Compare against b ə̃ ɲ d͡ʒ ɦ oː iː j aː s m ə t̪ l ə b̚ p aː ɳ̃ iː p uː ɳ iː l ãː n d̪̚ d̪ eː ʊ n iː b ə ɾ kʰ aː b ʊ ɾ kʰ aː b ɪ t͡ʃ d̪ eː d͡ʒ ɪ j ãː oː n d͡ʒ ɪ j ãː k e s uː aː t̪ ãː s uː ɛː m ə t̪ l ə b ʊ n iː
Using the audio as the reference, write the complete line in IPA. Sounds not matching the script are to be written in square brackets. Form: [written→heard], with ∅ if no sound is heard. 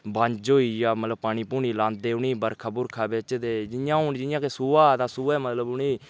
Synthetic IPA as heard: b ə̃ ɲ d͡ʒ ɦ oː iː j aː [s→∅] m ə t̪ l ə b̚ p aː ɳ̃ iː p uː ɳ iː l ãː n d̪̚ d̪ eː ʊ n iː b ə ɾ kʰ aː b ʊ ɾ kʰ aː b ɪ t͡ʃ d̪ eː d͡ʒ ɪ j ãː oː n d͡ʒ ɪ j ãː k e s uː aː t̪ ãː s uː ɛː m ə t̪ l ə b ʊ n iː